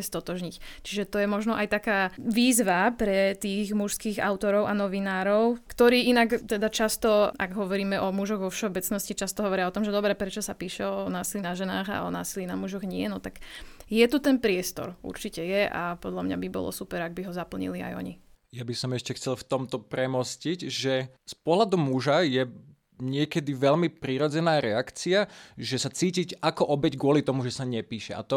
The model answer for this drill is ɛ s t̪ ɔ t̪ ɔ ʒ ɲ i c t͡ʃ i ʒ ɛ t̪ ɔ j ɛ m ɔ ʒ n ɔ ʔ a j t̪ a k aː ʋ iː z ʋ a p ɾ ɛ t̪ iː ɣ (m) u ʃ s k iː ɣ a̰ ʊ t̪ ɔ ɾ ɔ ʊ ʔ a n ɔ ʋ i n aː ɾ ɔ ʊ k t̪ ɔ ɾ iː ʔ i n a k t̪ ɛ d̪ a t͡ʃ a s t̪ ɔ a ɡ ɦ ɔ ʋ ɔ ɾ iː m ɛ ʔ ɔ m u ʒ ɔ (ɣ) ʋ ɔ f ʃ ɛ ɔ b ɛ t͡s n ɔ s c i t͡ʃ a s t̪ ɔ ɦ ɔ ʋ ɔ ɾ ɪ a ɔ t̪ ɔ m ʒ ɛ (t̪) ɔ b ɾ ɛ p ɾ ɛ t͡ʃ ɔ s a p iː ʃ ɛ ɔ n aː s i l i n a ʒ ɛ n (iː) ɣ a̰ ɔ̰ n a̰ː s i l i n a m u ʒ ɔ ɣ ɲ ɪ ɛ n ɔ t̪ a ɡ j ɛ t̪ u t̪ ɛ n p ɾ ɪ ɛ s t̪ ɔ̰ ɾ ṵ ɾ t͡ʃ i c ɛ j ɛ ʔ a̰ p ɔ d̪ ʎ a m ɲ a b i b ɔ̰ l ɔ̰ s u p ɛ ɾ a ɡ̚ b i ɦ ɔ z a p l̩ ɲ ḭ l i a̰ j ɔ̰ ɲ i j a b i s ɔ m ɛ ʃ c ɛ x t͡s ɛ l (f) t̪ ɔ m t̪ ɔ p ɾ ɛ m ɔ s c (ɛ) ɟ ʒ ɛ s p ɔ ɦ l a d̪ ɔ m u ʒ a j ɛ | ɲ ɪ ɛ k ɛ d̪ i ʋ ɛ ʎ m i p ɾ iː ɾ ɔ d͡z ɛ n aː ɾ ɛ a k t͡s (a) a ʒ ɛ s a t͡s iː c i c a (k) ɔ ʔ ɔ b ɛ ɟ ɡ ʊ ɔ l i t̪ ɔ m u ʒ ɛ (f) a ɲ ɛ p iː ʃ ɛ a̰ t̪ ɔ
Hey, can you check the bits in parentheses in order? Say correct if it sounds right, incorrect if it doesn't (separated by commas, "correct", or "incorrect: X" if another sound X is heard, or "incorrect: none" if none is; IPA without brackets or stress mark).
correct, correct, incorrect: d̪, incorrect: aː, correct, incorrect: i, incorrect: i, correct, incorrect: s